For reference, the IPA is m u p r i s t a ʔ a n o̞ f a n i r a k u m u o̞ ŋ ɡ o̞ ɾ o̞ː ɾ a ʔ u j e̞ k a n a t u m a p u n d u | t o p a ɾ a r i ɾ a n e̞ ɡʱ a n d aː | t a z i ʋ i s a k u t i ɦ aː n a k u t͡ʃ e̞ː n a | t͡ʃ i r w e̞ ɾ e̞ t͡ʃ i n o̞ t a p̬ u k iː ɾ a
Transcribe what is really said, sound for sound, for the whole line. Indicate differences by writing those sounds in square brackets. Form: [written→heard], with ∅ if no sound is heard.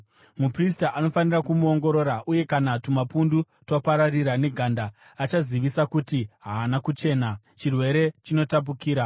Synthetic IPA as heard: m u p r i s t a ʔ a n o̞ f a n i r a k u m u o̞ ŋ ɡ o̞ ɾ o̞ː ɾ a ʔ u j e̞ k a n a t u m a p u n d u | t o p a ɾ a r i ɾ a n e̞ ɡʱ a n d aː | [t→t͡ʃ] a z i ʋ i s a k u t i ɦ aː n a k u t͡ʃ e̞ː n a | t͡ʃ i r w e̞ ɾ e̞ t͡ʃ i n o̞ t a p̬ u k iː ɾ a